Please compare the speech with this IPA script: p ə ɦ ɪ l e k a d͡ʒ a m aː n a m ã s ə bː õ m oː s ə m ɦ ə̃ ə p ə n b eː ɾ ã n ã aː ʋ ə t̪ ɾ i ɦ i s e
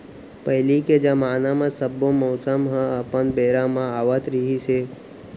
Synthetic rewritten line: p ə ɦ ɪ l i k e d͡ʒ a m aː n a m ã s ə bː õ m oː s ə m ɦ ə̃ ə p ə n b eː ɾ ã m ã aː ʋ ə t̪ ɾ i ɦ i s e